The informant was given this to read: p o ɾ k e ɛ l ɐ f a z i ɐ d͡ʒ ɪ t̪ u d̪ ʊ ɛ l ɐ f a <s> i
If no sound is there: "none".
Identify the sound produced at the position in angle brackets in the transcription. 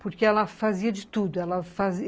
z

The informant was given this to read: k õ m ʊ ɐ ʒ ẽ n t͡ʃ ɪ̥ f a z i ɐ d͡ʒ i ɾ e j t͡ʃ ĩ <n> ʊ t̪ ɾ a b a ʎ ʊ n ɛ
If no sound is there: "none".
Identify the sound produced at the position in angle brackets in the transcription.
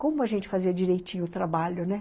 ɲ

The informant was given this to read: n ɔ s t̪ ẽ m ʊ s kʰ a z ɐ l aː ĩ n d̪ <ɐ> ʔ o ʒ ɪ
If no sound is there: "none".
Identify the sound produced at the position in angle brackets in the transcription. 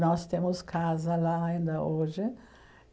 ɐ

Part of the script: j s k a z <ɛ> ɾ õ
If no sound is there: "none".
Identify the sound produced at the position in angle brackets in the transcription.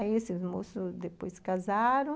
a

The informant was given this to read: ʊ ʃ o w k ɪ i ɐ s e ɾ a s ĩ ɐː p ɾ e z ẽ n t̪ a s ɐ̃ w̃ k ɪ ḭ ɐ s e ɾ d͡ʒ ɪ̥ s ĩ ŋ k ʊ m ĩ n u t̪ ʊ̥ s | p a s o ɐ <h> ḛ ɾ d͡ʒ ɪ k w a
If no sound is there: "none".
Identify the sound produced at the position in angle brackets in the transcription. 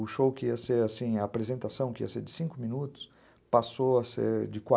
s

